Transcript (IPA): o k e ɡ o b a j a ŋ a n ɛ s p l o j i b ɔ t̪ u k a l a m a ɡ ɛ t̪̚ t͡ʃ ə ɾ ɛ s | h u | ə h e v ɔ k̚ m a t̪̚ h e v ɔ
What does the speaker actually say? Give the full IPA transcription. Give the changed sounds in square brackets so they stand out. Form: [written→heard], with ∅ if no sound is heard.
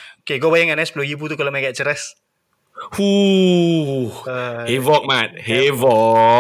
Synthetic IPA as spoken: o k e ɡ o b a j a ŋ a n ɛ s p l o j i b [ɔ→u] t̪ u k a l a m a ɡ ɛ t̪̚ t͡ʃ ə ɾ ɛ s | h u | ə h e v ɔ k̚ m a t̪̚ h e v ɔ